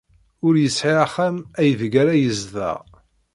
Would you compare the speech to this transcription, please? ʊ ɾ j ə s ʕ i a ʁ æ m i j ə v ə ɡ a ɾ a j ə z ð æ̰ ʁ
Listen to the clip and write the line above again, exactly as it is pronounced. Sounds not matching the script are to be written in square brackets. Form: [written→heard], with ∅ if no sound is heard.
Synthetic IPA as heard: ʊ ɾ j ə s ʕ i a [ʁ→χ] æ m [i→æ] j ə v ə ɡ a ɾ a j ə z ð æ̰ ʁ